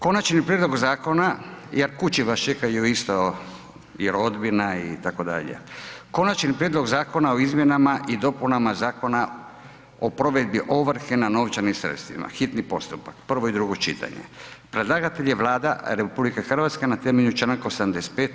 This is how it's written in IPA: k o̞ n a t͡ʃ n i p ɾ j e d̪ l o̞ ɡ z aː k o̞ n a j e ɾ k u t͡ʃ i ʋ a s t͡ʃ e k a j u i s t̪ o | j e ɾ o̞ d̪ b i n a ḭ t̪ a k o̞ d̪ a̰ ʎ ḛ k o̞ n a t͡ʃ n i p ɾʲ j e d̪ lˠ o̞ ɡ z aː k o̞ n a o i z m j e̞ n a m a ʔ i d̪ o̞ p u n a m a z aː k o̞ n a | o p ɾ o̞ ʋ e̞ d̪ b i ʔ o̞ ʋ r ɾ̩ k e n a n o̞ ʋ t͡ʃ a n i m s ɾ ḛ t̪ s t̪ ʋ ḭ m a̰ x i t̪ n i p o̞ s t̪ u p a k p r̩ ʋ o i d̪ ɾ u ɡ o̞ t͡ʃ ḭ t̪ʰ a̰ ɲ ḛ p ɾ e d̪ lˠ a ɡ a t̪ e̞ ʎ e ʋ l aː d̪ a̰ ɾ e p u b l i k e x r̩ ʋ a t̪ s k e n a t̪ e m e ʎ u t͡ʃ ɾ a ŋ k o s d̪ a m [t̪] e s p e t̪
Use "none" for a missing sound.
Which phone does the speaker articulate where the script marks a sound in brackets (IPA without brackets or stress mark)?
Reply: d̪